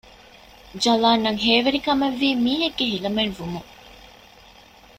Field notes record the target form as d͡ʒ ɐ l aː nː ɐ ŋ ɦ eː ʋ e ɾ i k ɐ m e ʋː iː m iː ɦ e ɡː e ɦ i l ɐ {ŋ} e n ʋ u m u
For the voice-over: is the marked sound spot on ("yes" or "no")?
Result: no